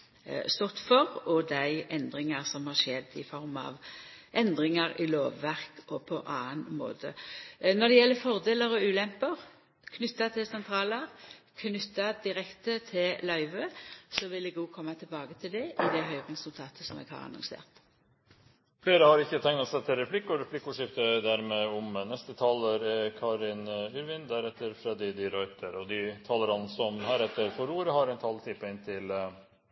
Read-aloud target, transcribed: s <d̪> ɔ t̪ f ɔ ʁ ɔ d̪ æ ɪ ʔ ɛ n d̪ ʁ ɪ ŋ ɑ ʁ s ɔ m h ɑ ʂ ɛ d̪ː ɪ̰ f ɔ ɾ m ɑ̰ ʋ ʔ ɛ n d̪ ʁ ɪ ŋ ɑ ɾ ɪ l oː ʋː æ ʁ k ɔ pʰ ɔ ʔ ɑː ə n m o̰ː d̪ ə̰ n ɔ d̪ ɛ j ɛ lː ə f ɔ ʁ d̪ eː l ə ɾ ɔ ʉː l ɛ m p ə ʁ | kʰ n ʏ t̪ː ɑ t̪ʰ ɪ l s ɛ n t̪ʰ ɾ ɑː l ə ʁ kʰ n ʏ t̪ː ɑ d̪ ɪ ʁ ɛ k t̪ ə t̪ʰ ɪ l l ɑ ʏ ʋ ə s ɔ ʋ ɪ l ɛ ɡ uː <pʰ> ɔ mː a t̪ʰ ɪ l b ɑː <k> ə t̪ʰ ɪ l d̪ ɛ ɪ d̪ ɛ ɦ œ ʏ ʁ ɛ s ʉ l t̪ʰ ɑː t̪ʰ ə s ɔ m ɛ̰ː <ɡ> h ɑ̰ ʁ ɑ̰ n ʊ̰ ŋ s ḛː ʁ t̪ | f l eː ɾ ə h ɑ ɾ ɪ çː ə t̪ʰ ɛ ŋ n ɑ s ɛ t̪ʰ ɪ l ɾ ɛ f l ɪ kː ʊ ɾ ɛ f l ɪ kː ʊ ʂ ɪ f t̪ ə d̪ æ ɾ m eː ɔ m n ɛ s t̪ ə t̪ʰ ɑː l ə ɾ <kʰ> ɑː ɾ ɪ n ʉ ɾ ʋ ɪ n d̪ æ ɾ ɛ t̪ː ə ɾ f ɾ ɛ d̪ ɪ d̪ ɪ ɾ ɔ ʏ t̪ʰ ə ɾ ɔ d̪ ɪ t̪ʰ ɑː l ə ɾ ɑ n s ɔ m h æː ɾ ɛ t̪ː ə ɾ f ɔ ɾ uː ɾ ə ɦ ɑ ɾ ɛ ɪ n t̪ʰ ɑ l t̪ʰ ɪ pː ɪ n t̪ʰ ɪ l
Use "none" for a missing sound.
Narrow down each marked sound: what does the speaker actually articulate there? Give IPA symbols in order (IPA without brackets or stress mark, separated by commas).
t̪, kʰ, ɡ, ɡ, kʰ